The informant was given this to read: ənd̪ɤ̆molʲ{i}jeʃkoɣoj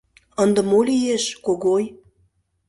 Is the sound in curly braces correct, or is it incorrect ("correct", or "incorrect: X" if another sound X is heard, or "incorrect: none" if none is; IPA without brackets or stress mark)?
correct